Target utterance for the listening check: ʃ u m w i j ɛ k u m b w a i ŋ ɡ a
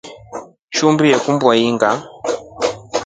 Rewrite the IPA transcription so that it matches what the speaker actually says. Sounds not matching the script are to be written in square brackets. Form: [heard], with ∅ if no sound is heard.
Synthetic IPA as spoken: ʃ u m [b] i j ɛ k u m b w a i ŋ ɡ a